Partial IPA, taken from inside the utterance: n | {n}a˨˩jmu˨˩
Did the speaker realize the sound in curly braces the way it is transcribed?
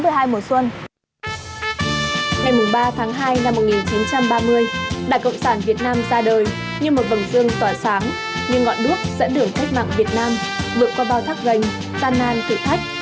no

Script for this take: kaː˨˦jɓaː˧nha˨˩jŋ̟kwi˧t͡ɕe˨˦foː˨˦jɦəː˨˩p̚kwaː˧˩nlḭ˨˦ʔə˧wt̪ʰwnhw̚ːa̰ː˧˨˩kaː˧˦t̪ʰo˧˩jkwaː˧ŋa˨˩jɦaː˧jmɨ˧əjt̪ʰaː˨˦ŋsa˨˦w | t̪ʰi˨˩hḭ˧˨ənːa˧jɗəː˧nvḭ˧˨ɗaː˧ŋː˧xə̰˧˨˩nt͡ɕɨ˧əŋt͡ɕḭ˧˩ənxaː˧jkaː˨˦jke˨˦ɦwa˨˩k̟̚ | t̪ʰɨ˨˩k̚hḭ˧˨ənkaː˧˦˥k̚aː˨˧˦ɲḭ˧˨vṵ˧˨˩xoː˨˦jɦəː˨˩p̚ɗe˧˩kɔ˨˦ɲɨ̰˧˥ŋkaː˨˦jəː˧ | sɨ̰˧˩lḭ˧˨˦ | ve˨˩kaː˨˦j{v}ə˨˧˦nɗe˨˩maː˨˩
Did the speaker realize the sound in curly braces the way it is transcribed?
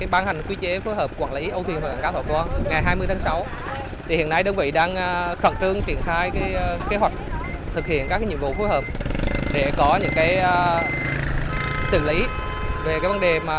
yes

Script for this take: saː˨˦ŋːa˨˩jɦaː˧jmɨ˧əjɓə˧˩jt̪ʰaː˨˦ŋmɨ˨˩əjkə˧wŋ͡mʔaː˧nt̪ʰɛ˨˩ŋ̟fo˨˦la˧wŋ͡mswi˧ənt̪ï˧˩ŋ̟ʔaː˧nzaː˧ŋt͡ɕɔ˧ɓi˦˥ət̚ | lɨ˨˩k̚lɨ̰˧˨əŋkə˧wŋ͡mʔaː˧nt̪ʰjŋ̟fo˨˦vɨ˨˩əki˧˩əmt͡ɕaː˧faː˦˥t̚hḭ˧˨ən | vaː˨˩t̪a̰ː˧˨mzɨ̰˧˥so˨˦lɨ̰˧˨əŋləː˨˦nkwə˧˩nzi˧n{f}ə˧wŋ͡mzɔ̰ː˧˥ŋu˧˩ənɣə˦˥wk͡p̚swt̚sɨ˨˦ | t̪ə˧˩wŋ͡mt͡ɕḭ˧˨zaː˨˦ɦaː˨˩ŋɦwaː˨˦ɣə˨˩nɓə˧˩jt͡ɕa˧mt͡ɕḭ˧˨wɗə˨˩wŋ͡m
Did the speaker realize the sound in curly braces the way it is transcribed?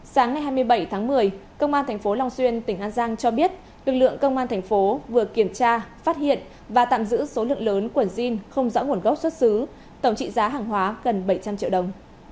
no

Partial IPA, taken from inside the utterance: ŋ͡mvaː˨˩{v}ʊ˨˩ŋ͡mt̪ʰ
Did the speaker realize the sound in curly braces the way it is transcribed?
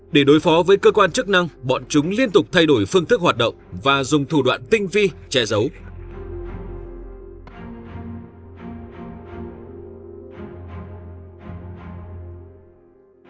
no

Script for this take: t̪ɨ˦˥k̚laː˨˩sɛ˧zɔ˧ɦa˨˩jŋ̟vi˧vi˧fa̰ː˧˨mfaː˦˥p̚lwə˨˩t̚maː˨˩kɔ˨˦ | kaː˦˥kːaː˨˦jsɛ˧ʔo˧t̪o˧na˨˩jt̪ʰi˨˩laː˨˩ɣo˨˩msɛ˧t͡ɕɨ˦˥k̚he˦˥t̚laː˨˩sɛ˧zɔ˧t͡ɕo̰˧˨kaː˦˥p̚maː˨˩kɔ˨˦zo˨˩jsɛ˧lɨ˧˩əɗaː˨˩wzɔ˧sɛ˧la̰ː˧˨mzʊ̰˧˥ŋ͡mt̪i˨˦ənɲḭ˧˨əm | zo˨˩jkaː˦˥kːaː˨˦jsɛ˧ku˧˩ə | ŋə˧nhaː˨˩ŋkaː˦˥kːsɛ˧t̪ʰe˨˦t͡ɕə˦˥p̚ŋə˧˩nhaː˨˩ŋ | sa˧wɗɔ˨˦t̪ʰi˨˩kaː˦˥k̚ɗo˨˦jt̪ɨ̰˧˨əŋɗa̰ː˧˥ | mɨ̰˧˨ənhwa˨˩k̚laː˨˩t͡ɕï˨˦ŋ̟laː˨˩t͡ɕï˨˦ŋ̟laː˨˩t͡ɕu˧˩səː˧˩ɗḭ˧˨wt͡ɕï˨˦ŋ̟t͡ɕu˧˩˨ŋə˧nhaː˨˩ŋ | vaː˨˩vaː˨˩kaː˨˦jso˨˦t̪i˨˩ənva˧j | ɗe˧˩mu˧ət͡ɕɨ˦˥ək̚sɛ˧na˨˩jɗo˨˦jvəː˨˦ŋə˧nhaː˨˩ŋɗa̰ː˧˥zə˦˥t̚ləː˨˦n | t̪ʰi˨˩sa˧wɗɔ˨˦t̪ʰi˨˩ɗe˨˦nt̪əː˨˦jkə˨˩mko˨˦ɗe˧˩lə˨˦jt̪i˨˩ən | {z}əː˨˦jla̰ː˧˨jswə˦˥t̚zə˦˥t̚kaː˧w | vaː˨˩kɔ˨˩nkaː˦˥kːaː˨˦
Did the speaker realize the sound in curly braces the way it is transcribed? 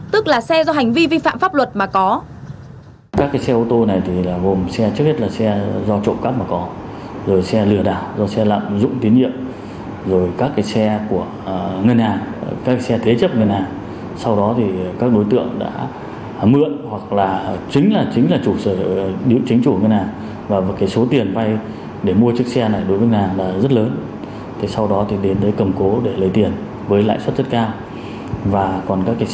no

